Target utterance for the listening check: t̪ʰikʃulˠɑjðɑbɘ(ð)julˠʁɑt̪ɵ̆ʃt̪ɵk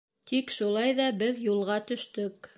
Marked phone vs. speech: correct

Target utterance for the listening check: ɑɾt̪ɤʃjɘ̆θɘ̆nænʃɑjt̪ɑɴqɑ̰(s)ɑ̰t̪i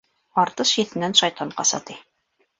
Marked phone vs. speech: correct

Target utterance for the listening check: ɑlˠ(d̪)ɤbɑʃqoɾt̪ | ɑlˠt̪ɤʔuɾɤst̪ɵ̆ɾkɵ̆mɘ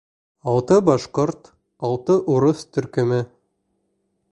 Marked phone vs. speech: incorrect: t̪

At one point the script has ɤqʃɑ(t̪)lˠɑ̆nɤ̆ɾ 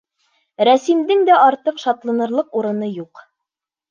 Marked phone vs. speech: correct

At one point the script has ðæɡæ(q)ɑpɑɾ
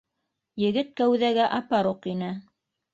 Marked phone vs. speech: incorrect: ʔ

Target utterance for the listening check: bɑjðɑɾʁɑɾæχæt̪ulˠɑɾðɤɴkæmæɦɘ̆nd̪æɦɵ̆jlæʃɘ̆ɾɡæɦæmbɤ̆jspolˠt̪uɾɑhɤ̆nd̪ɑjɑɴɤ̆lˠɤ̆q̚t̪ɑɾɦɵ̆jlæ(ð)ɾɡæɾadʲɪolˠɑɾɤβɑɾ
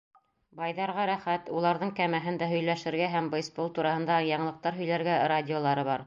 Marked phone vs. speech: incorrect: none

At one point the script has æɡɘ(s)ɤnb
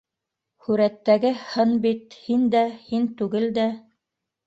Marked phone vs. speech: incorrect: h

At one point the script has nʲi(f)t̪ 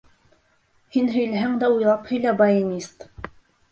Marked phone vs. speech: incorrect: s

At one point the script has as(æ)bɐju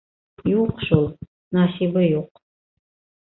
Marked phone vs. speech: incorrect: i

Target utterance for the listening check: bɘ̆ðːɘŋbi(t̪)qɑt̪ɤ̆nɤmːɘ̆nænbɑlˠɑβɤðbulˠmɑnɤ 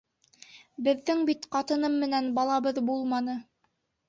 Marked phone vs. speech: correct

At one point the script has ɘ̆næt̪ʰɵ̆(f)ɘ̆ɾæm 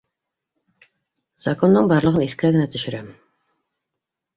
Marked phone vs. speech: incorrect: ʃ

